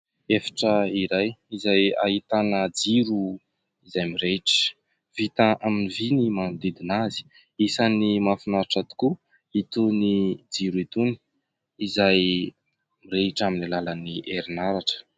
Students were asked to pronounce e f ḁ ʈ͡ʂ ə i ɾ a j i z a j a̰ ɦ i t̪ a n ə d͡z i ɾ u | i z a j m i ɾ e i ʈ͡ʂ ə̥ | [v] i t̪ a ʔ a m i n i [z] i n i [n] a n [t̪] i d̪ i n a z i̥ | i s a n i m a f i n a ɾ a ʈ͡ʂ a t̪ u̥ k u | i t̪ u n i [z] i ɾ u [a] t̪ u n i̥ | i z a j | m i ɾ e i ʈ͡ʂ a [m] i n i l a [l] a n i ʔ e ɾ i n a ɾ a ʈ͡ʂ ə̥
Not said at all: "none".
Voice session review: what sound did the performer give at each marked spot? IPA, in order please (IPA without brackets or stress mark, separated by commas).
v, v, m, d̪, d͡z, i, m, l